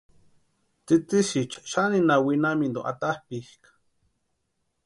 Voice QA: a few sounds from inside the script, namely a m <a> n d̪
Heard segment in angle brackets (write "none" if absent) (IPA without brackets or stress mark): i